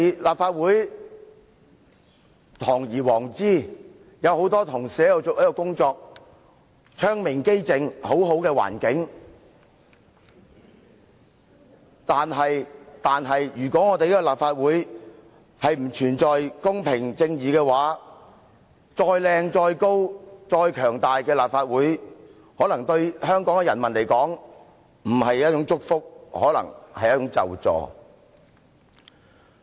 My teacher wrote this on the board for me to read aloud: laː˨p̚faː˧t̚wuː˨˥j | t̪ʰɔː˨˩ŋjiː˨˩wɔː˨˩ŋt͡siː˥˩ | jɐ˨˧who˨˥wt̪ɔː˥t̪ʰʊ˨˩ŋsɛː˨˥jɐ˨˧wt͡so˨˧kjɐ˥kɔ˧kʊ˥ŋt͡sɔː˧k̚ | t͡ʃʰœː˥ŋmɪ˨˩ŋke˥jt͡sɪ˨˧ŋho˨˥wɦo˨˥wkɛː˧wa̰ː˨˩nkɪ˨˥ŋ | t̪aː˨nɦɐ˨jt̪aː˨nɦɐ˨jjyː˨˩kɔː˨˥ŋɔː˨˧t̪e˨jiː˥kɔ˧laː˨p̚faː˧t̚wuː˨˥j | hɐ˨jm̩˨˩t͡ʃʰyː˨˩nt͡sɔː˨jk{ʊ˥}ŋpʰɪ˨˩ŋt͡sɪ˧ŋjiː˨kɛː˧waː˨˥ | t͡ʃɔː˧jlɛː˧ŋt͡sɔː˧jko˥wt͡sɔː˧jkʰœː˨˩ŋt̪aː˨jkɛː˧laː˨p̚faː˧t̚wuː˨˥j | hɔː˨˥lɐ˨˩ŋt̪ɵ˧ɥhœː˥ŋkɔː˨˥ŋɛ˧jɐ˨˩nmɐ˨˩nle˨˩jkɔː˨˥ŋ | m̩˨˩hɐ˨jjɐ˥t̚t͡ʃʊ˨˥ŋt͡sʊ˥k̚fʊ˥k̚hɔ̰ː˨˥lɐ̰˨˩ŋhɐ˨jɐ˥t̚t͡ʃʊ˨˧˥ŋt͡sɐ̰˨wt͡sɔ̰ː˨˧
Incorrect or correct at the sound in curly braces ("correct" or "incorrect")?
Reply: correct